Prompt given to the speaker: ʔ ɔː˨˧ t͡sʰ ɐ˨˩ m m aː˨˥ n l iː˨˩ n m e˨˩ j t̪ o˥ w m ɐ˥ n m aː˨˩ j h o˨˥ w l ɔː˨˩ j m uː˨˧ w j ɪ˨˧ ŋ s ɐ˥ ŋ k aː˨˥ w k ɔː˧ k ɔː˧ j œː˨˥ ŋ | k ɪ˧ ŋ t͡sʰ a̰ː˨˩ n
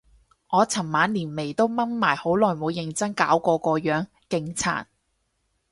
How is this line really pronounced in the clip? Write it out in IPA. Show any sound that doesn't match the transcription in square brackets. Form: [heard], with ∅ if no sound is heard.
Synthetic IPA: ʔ ɔː˨˧ t͡sʰ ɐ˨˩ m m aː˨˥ n l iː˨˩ n m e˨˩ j t̪ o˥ w m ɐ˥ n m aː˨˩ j h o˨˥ w l ɔː˨˩ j m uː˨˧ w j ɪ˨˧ ŋ [t͡s] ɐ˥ ŋ k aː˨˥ w k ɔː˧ k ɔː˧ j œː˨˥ ŋ | k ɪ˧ ŋ t͡sʰ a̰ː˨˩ n